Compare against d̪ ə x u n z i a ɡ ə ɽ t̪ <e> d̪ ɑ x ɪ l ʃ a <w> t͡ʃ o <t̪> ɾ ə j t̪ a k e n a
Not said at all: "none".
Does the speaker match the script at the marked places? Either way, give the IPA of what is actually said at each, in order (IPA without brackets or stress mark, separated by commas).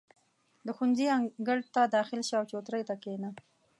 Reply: a, w, t̪